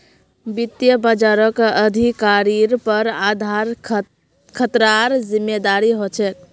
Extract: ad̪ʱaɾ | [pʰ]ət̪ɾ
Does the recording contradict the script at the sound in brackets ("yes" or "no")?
yes